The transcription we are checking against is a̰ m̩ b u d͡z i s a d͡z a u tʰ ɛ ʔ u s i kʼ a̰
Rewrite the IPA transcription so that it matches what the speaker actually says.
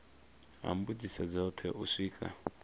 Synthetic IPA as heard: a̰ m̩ b u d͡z i s a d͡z a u tʰ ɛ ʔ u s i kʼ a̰